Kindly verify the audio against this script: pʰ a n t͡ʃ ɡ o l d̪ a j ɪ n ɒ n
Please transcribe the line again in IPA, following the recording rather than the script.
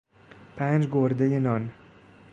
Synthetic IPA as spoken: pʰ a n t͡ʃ ɡ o ɾ d̪ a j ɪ n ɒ n

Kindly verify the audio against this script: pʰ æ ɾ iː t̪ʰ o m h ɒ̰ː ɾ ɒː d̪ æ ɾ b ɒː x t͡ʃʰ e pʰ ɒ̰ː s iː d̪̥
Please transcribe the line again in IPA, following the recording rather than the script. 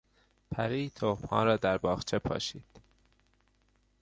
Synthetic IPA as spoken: pʰ æ ɾ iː t̪ʰ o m h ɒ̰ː ɾ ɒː d̪ æ ɾ b ɒː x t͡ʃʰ e pʰ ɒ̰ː ʃ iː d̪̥

